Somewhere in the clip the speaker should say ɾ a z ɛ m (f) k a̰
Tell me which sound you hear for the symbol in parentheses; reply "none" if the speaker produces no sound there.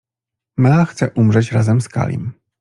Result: s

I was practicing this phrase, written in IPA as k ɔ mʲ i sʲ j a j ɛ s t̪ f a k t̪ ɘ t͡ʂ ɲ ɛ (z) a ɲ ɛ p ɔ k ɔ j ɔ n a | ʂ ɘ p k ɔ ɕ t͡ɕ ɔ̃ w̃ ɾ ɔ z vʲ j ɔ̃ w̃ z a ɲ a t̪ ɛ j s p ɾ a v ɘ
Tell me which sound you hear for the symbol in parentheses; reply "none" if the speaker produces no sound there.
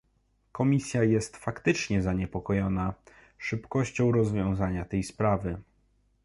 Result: z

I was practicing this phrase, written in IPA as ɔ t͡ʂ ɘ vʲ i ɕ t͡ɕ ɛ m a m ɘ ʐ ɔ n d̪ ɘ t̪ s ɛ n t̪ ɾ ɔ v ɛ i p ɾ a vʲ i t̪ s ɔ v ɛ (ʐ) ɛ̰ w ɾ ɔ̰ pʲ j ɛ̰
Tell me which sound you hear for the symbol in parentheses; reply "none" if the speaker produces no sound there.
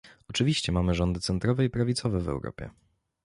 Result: v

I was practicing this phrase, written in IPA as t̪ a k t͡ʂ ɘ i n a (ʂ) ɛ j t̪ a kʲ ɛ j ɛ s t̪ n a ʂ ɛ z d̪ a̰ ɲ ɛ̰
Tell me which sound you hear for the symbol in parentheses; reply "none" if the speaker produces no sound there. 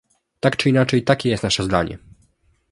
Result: t͡ʂ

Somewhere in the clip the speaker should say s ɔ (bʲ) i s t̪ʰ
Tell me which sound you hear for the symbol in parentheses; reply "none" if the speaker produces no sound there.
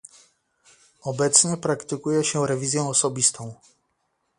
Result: bʲ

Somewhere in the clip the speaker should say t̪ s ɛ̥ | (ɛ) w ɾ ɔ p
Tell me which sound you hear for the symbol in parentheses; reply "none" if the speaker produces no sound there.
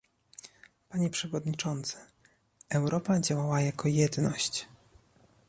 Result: ɛ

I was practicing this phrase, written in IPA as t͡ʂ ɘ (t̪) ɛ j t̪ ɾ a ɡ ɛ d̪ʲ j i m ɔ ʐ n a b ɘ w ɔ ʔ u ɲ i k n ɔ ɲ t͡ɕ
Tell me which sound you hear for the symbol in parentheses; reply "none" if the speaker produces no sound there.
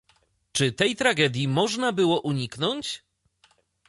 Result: t̪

